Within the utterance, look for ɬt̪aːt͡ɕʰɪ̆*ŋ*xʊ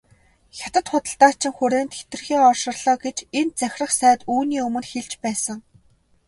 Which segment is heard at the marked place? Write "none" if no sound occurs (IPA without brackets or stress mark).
ŋ